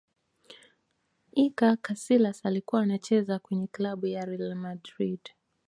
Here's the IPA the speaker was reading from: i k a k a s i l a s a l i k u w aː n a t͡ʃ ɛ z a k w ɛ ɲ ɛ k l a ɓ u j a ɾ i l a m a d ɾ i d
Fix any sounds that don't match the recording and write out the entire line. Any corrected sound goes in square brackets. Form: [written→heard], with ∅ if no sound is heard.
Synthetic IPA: i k a k a s i l a s a l i k u w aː n a t͡ʃ ɛ z a k w ɛ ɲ ɛ k l a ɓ u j a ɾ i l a m a d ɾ i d